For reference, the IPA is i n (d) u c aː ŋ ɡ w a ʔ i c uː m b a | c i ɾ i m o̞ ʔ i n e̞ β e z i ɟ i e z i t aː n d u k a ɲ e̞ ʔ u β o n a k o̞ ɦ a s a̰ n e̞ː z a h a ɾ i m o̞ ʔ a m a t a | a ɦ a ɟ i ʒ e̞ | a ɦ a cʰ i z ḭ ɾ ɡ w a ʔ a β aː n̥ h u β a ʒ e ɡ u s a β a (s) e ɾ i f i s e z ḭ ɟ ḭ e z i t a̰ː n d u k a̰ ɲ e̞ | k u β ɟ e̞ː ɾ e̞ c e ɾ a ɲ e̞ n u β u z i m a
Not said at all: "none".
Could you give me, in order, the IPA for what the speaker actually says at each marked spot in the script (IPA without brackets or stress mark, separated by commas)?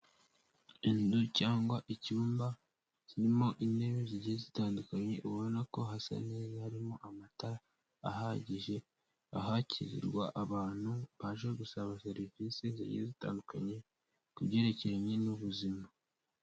d, s